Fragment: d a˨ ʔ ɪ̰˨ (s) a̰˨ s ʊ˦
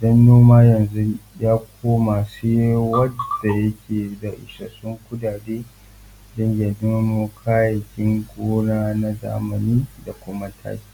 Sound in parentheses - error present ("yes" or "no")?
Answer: yes